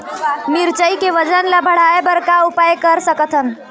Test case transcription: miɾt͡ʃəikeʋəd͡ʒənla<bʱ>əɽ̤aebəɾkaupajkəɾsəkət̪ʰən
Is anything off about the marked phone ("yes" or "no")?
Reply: no